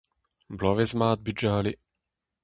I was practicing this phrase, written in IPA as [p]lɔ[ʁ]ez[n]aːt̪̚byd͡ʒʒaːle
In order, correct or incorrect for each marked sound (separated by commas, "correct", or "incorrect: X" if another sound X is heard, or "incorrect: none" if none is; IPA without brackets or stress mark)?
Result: incorrect: b, incorrect: v, incorrect: m